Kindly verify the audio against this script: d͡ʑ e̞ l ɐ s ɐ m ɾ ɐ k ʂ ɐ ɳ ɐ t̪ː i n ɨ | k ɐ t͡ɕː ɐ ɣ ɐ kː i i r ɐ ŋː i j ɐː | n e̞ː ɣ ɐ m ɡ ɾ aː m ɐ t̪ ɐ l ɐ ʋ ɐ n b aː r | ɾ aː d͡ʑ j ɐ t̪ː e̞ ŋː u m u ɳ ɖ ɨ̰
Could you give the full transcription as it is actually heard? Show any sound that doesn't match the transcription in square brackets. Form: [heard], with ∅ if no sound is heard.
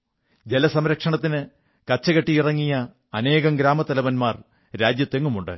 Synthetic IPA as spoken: d͡ʑ e̞ l ɐ s ɐ m ɾ ɐ k ʂ ɐ ɳ ɐ t̪ː i n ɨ | k ɐ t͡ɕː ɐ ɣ ɐ [ʈː] i i r ɐ ŋː i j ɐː | n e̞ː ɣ ɐ m ɡ ɾ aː m ɐ t̪ ɐ l ɐ ʋ ɐ n [m] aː r | ɾ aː d͡ʑ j ɐ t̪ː e̞ ŋː u m u ɳ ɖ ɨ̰

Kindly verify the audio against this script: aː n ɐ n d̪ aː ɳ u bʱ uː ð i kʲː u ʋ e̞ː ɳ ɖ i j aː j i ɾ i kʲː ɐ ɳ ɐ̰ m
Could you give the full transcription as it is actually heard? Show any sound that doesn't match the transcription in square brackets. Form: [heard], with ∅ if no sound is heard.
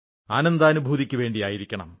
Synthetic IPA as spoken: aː n ɐ n d̪ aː [n] u bʱ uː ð i kʲː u ʋ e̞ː ɳ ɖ i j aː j i ɾ i kʲː ɐ ɳ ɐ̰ m

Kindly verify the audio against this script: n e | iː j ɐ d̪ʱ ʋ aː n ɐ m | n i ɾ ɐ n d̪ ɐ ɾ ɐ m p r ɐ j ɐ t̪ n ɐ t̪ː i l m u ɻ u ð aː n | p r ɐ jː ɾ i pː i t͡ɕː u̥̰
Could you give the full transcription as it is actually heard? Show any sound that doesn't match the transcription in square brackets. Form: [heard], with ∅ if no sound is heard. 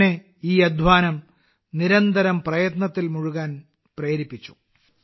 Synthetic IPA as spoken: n e | iː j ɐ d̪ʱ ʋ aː n ɐ m | n i ɾ ɐ n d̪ ɐ ɾ ɐ m p r ɐ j ɐ t̪ n ɐ t̪ː i l m u ɻ u [ɣ] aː n | p r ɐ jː ɾ i pː i t͡ɕː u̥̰

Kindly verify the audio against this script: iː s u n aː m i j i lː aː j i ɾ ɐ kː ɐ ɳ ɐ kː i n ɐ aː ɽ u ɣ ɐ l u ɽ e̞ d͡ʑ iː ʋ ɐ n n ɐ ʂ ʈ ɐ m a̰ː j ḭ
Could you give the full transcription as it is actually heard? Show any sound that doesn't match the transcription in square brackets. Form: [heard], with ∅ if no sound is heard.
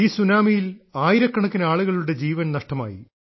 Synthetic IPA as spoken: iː s u n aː m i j i [l] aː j i ɾ ɐ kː ɐ ɳ ɐ kː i n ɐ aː [ɭ] u ɣ ɐ [ɭ] u ɽ e̞ d͡ʑ iː ʋ ɐ n n ɐ ʂ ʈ ɐ m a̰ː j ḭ

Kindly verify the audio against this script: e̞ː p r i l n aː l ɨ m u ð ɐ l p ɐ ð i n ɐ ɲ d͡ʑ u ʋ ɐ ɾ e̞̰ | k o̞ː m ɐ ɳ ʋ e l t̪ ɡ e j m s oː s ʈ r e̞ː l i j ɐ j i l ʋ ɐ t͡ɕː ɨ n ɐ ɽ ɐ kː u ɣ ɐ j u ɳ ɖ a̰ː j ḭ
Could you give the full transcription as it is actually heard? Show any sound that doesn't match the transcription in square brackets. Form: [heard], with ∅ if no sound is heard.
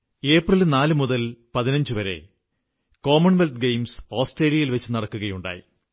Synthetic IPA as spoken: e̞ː p r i l n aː l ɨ m u ð ɐ l p ɐ ð i n ɐ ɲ d͡ʑ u ʋ ɐ ɾ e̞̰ | k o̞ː m ɐ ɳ ʋ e l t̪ ɡ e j m s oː s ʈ r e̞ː l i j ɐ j i l ʋ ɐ t͡ɕː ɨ n ɐ ɽ ɐ kː u ɣ ɐ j u ɳ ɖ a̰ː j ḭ

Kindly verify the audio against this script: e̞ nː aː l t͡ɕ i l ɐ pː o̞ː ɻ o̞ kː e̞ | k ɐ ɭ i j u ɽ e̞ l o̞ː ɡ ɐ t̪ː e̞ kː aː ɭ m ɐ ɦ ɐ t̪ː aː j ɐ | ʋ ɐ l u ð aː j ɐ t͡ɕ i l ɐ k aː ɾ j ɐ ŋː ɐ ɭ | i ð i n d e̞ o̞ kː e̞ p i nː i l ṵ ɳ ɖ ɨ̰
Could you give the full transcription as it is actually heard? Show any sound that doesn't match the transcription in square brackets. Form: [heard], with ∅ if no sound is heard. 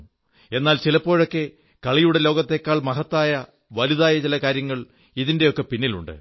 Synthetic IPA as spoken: e̞ nː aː l t͡ɕ i l ɐ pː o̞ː ɻ o̞ kː e̞ | k ɐ ɭ i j u ɽ e̞ l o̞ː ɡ ɐ t̪ː e̞ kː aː ɭ m ɐ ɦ ɐ t̪ː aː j ɐ | ʋ ɐ l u ð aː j ɐ t͡ɕ i l ɐ k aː ɾ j ɐ ŋː ɐ ɭ | i ð i n d e̞ o̞ kː e̞ p i nː i l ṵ ɳ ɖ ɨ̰

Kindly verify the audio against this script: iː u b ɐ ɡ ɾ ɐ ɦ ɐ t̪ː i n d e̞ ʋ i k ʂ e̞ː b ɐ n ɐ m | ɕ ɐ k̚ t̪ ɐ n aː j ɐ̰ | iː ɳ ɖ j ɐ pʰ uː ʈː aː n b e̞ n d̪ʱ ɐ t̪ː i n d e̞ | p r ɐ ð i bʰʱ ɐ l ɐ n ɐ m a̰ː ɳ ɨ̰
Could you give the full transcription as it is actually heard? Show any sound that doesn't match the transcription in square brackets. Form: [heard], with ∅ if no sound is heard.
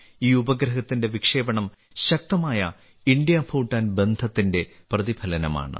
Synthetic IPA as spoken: iː u b ɐ ɡ ɾ ɐ ɦ ɐ t̪ː i n d e̞ ʋ i k ʂ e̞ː b ɐ [ɳ] ɐ m | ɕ ɐ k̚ t̪ ɐ [m] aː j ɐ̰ | [i] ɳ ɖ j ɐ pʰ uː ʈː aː n b e̞ n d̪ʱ ɐ t̪ː i n d e̞ | p r ɐ ð i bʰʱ ɐ l ɐ n ɐ m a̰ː ɳ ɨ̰

